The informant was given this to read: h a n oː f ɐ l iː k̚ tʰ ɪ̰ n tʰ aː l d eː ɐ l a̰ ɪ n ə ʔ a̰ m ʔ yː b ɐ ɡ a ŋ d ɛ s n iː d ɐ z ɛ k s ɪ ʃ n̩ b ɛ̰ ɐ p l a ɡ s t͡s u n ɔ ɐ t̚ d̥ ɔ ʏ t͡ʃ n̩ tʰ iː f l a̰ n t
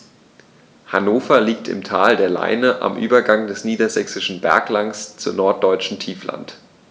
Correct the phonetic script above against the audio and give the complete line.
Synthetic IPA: h a n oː f ɐ l iː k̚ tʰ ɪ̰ m tʰ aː l d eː ɐ l a̰ ɪ n ə ʔ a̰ m ʔ yː b ɐ ɡ a ŋ d ɛ s n iː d ɐ z ɛ k s ɪ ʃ n̩ b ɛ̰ ɐ k l a ŋ s t͡s u n ɔ ɐ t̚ d̥ ɔ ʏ t͡ʃ n̩ tʰ iː f l a̰ n t